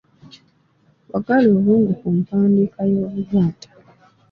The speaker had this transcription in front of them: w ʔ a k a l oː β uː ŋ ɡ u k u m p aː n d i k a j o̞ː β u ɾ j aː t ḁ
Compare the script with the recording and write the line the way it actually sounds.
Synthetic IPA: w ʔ a ɡ a l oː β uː ŋ ɡ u k u m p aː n d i k a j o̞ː β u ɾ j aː t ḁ